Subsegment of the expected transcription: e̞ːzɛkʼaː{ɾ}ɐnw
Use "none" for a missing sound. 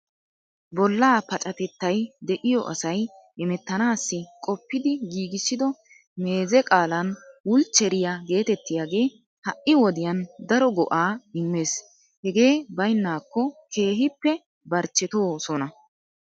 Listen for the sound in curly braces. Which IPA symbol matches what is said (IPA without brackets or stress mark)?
l